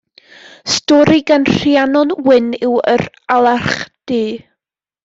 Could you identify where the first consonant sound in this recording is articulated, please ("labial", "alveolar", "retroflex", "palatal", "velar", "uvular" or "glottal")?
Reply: alveolar